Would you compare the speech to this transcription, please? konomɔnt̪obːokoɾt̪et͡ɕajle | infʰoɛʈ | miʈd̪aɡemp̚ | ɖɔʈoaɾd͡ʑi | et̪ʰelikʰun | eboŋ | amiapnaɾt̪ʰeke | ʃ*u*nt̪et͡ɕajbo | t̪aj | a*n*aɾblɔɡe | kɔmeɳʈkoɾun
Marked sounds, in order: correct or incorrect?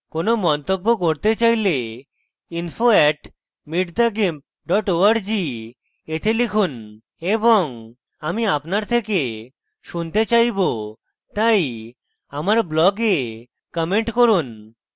correct, incorrect: m

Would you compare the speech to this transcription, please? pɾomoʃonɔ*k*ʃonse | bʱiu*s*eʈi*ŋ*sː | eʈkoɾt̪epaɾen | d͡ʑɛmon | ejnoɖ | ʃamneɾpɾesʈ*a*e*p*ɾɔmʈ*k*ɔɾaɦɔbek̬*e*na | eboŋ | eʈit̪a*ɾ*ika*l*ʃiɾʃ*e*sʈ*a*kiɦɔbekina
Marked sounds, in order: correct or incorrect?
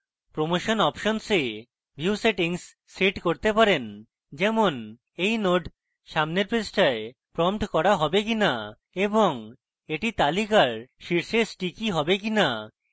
incorrect: p, correct, correct, correct, correct, correct, incorrect: i, incorrect: l, incorrect: ɾ, correct, incorrect: i

